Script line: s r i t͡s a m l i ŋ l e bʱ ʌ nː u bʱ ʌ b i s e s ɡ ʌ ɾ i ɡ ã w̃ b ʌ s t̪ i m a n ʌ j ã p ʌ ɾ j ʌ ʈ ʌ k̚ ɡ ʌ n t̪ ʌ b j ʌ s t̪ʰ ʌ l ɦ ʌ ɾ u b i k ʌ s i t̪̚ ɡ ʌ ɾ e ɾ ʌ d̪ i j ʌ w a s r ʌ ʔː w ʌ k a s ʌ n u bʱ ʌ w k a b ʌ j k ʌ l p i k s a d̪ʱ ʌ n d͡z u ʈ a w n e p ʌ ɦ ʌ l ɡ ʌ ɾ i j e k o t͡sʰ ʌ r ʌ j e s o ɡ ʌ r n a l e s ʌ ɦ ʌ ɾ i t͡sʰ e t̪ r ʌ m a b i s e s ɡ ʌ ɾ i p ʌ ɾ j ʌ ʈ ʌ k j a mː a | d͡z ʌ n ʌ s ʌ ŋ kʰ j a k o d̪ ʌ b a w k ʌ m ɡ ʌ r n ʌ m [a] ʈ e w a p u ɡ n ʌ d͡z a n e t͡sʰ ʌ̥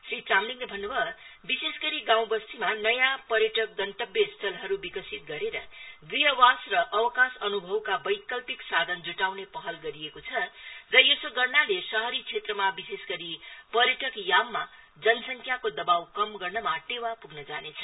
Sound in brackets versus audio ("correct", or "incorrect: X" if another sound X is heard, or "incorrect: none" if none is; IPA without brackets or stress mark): correct